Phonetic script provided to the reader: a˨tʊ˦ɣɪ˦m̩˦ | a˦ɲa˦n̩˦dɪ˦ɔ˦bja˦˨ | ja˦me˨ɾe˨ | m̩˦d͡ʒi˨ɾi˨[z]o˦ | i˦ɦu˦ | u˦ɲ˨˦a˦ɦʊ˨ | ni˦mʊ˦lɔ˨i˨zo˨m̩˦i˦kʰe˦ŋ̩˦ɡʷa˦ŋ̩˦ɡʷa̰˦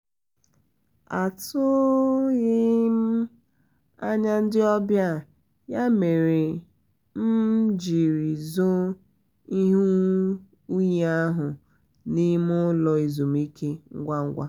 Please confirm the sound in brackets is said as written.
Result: yes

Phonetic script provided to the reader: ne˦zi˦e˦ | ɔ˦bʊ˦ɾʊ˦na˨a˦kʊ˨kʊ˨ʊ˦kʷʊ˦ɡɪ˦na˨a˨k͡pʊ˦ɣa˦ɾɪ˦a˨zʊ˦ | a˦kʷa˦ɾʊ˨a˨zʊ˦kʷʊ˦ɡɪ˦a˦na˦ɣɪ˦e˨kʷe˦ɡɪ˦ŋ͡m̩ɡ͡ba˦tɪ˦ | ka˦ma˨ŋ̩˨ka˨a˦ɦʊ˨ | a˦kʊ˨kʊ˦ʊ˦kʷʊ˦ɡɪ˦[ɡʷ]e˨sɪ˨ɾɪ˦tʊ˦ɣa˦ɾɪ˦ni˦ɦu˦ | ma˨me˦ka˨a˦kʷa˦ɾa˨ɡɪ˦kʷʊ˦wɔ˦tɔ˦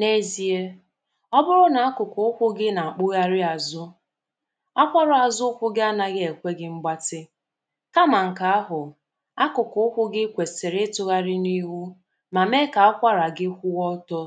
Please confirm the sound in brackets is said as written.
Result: no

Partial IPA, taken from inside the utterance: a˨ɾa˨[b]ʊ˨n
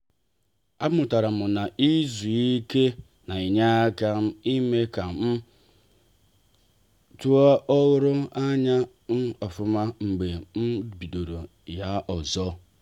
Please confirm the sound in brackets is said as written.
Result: no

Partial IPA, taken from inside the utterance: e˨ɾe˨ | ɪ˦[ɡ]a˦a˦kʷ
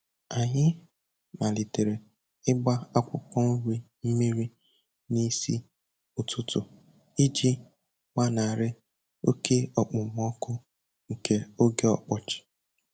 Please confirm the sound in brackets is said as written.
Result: no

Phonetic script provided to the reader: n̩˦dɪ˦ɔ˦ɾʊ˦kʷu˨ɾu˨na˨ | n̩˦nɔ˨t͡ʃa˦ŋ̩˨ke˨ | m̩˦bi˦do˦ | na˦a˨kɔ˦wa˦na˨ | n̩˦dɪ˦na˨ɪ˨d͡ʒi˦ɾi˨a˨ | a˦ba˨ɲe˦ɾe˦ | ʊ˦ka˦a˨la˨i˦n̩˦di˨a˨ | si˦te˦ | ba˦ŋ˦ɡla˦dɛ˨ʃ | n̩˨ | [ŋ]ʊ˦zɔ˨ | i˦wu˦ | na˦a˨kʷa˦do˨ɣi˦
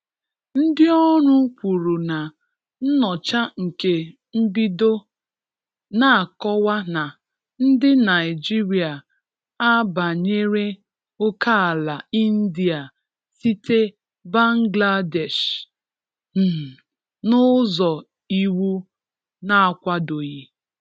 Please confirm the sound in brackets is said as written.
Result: no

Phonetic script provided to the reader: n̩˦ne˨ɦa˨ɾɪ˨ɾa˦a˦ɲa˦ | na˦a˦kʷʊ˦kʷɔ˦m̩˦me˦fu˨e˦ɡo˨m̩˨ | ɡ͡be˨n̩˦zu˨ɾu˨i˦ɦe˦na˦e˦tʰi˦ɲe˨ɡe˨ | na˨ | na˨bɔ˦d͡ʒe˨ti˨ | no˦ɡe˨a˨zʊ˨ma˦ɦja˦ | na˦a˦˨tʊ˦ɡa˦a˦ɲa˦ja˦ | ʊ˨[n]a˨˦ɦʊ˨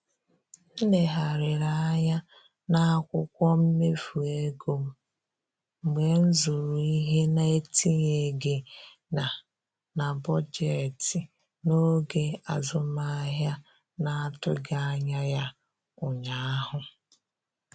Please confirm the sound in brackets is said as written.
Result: no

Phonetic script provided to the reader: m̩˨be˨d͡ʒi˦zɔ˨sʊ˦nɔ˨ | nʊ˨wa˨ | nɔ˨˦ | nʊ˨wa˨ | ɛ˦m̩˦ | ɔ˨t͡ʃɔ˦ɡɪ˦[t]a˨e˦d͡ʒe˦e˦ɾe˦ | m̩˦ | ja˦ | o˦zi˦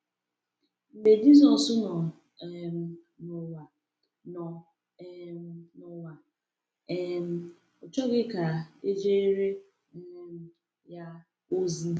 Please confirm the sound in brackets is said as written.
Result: no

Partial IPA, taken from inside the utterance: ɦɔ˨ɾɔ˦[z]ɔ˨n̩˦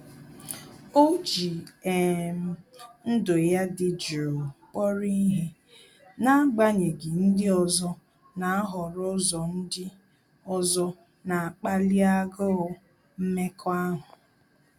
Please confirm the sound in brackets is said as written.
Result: yes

